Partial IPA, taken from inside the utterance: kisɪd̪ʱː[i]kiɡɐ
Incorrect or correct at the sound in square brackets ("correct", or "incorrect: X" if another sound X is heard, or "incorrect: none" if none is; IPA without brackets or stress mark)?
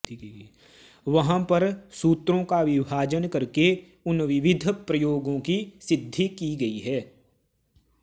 correct